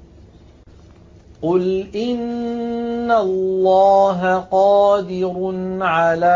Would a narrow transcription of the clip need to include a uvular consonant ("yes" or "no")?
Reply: yes